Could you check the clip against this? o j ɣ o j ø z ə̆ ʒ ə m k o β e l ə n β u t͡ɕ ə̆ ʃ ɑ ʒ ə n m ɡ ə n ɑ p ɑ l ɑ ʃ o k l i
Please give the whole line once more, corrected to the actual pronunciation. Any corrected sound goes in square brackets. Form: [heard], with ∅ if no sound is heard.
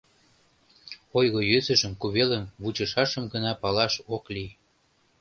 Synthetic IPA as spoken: o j ɣ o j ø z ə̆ ʒ ə m k [u] β e l ə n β u t͡ɕ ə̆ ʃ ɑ [ʃ] ə [∅] m ɡ ə n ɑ p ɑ l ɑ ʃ o k l i